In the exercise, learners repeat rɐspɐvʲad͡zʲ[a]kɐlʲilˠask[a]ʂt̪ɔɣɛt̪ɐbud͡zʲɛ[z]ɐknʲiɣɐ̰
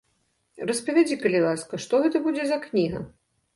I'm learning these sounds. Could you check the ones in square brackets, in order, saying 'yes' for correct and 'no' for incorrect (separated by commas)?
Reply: no, no, yes